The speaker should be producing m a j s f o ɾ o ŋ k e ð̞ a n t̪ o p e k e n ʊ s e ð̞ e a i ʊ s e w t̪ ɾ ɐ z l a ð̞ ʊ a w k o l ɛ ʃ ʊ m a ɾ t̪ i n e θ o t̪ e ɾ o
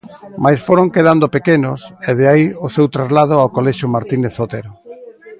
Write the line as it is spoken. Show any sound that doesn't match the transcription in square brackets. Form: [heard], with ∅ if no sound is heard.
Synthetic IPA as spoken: m a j s f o ɾ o ŋ k e ð̞ a n [d̪] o p e k e n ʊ s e ð̞ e a i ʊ s e w t̪ ɾ [a] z l a ð̞ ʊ a w k o l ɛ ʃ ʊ m a ɾ t̪ i n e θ o t̪ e ɾ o